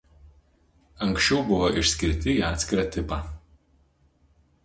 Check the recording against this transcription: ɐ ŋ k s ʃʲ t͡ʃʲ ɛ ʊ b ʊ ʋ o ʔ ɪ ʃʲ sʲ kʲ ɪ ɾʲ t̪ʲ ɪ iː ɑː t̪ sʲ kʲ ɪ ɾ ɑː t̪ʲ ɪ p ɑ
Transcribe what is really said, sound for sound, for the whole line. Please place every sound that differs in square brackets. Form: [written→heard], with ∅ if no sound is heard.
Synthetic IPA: ɐ ŋ k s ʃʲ t͡ʃʲ ɛ ʊ b ʊ ʋ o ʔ ɪ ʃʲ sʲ kʲ ɪ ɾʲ t̪ʲ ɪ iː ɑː t̪ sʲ kʲ ɪ ɾ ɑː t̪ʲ ɪ p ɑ